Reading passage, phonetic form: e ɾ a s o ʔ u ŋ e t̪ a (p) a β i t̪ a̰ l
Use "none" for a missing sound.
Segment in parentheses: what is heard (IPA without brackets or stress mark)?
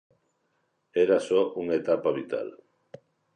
p